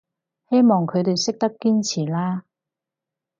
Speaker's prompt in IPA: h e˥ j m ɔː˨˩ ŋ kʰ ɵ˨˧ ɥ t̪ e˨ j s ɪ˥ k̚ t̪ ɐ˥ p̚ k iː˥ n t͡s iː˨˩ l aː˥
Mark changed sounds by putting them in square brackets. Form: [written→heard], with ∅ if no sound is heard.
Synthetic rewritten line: h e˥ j m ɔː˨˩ ŋ kʰ ɵ˨˧ ɥ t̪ e˨ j s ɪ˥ k̚ t̪ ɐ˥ p̚ k iː˥ n [t͡s→t͡sʰ] iː˨˩ l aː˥